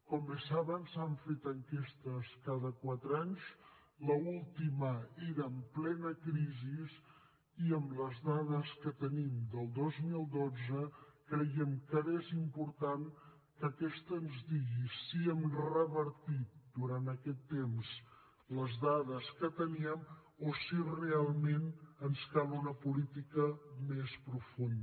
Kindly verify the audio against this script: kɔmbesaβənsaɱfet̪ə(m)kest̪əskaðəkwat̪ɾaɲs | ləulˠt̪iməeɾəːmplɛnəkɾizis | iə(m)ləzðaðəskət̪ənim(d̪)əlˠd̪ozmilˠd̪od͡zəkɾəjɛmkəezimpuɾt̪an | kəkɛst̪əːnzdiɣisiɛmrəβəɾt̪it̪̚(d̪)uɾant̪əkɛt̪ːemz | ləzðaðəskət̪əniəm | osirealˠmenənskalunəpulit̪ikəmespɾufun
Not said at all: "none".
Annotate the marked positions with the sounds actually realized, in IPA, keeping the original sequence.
ŋ, m, d̪, d̪

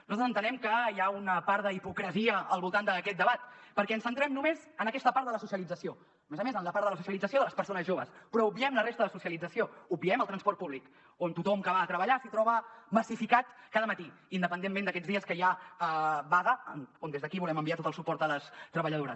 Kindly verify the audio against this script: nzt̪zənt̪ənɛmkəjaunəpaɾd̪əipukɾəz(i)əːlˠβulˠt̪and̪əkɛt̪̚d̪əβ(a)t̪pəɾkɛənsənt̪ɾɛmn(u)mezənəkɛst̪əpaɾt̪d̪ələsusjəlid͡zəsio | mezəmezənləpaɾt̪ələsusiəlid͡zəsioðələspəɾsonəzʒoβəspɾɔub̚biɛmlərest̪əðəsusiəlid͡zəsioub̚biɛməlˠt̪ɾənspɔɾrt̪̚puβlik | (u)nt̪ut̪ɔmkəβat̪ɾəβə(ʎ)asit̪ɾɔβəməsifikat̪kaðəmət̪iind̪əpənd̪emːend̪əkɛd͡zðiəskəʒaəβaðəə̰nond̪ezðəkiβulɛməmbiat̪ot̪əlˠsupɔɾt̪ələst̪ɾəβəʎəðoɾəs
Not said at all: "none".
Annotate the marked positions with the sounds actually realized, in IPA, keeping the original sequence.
i, a, u, o, ʎ

